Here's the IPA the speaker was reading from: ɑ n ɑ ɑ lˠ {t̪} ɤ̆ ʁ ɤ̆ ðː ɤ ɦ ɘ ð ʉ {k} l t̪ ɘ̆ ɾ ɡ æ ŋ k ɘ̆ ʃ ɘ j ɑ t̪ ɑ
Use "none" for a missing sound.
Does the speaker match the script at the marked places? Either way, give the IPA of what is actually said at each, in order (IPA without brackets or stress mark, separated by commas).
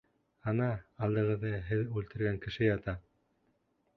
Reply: d̪, none